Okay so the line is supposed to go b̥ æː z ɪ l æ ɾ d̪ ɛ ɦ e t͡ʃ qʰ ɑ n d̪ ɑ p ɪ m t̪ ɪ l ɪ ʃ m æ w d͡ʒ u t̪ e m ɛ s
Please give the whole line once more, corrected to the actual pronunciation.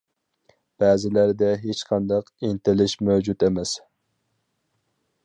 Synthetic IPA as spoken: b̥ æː z ɪ l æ ɾ d̪ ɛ ɦ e t͡ʃ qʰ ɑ n d̪ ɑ q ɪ n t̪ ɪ l ɪ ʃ m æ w d͡ʒ u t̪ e m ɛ s